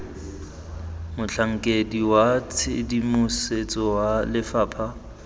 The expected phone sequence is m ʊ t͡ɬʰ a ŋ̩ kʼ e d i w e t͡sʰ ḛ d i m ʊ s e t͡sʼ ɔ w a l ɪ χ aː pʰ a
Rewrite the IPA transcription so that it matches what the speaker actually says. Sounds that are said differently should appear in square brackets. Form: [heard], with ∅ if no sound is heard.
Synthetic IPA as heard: m ʊ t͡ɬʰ a ŋ̩ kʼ e d i w [a] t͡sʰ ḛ d i m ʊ s e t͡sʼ ɔ w a l ɪ [f] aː pʰ a